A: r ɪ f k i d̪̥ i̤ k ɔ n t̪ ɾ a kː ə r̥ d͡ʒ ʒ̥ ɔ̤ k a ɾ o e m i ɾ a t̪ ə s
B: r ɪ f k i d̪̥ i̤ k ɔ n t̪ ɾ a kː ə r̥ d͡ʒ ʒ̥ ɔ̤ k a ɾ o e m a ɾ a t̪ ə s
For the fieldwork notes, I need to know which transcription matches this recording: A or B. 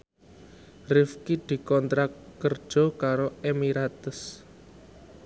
A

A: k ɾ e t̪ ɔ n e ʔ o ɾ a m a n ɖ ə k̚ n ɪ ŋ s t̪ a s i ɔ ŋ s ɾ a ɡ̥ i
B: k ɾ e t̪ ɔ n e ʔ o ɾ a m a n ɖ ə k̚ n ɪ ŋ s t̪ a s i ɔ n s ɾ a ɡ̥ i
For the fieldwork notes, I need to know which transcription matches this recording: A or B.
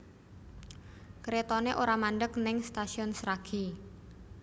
B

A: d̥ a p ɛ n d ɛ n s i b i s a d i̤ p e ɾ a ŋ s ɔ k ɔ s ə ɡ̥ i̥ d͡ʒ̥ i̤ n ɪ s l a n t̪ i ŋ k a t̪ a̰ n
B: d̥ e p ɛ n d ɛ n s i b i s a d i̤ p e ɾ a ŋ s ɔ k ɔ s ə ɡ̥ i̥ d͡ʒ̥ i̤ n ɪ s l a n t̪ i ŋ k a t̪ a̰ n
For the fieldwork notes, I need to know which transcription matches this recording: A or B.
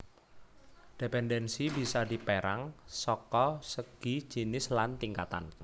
B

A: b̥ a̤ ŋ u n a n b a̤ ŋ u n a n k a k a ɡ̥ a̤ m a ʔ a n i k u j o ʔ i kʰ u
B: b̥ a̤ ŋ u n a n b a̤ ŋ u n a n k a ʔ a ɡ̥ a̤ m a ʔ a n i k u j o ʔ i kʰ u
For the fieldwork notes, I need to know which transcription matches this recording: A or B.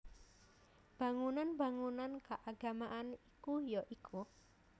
B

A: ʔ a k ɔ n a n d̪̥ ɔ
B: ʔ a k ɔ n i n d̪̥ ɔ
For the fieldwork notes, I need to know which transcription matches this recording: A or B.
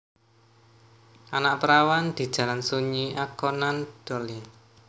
A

